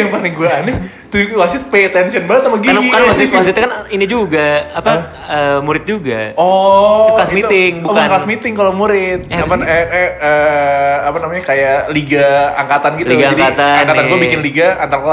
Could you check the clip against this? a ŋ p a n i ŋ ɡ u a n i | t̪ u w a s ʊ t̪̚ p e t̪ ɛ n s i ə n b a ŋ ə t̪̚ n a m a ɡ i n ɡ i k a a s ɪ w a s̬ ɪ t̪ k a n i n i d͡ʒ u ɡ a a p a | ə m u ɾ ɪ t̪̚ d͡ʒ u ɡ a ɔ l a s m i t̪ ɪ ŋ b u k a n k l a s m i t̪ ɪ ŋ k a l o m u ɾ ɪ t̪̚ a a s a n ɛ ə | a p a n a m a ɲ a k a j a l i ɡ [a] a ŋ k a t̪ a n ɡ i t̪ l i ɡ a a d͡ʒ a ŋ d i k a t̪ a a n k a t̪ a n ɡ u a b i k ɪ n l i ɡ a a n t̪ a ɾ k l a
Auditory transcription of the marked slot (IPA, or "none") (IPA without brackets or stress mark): a